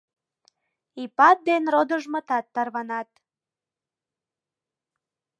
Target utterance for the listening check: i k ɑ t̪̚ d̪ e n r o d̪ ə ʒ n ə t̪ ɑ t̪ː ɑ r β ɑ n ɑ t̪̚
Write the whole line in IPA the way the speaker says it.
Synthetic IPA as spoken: i p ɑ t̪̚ d̪ e n r o d̪ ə ʒ m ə t̪ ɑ t̪ː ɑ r β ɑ n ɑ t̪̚